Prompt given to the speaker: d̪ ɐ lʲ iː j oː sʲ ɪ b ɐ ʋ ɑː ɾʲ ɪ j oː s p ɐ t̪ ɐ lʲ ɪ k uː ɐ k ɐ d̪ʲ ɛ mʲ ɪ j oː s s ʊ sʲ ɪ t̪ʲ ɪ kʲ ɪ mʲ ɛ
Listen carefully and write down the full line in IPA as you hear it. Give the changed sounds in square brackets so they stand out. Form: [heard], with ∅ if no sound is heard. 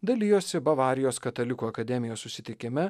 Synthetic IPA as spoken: d̪ ɐ lʲ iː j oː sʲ ɪ b ɐ ʋ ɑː ɾʲ ɪ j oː s [k] ɐ t̪ ɐ lʲ ɪ k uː ɐ k ɐ d̪ʲ ɛ mʲ ɪ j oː s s ʊ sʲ ɪ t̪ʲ ɪ kʲ ɪ mʲ ɛ